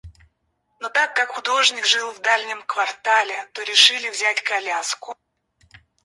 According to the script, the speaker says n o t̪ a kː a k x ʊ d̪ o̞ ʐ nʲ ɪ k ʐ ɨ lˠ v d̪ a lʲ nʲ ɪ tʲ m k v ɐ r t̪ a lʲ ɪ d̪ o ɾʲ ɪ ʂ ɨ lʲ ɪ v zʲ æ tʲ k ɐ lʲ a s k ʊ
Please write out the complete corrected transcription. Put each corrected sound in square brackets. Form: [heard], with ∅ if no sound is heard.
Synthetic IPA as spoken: n o t̪ a kː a k x ʊ d̪ o̞ ʐ nʲ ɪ k ʐ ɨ lˠ v d̪ a lʲ nʲ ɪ [∅] m k v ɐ r t̪ a lʲ ɪ [t̪] o ɾʲ ɪ ʂ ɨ lʲ ɪ v zʲ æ tʲ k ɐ lʲ a s k ʊ